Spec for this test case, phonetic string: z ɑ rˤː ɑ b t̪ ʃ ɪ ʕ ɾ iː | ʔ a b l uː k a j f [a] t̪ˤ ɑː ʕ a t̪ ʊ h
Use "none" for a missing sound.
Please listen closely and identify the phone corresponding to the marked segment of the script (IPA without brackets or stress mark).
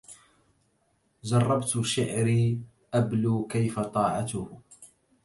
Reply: a